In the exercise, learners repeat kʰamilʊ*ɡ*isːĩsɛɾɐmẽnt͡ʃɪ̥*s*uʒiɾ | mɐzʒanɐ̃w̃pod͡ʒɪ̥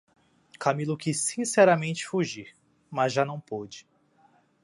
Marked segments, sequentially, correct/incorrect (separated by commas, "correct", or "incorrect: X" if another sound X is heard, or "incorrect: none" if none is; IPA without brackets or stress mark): incorrect: k, incorrect: f